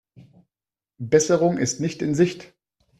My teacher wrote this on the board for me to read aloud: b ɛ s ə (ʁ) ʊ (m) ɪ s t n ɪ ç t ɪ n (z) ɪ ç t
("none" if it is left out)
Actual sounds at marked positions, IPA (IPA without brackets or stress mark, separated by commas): ʁ, ŋ, z